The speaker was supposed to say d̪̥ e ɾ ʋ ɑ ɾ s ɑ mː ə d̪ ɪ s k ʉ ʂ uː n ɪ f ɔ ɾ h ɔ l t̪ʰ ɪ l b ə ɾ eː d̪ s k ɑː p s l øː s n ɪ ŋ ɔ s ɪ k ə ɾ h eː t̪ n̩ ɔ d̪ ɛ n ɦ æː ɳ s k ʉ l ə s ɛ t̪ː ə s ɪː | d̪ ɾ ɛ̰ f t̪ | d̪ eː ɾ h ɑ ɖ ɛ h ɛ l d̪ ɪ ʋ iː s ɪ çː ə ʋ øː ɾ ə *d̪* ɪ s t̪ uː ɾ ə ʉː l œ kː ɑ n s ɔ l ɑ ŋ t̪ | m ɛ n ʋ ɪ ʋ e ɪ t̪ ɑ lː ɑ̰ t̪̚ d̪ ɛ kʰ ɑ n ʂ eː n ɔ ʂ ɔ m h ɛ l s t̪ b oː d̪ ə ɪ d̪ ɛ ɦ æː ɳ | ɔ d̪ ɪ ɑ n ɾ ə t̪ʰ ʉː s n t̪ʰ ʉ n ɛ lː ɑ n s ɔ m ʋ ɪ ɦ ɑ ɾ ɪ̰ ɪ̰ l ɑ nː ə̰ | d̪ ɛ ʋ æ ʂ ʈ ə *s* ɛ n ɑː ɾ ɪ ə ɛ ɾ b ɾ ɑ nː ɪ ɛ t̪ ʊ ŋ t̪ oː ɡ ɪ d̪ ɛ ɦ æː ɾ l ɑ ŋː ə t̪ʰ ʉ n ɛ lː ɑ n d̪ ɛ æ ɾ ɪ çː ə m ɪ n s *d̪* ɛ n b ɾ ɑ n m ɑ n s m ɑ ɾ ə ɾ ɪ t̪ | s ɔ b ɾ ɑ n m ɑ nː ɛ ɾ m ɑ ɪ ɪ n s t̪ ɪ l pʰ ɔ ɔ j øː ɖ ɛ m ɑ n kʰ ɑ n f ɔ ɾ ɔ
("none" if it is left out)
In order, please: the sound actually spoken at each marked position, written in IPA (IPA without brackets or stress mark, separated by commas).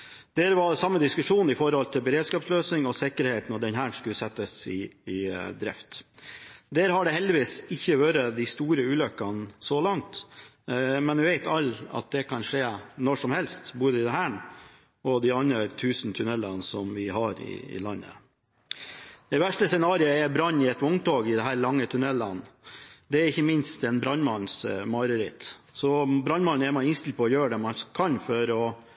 d̪, s, t̪